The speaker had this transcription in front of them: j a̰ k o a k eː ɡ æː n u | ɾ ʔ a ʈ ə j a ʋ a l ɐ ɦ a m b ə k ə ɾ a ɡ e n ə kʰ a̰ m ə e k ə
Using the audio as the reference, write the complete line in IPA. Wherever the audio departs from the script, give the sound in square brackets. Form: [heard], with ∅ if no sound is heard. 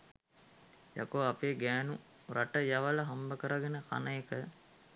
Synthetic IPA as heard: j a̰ k o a [p] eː ɡ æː n u | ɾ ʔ a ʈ ə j a ʋ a l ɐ ɦ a m b ə k ə ɾ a ɡ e n ə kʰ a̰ [n] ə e k ə